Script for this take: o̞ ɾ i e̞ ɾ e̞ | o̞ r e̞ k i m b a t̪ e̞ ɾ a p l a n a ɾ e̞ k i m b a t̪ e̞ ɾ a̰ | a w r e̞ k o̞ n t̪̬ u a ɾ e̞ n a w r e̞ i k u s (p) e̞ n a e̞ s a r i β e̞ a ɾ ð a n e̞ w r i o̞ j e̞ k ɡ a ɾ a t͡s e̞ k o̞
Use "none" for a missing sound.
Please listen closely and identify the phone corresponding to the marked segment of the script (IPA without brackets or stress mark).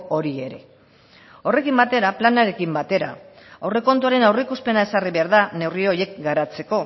p